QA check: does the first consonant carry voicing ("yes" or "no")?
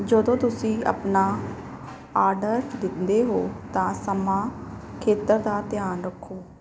yes